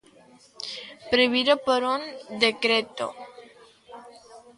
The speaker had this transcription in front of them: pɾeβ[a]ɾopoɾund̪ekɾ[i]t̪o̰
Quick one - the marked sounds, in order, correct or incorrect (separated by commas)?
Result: incorrect, incorrect